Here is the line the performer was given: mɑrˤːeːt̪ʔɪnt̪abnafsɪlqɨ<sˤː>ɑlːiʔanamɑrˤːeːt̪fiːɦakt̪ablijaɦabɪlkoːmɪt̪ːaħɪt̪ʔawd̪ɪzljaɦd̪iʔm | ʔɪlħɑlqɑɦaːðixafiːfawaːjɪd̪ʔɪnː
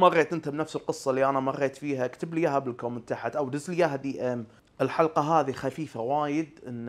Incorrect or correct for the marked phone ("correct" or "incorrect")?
correct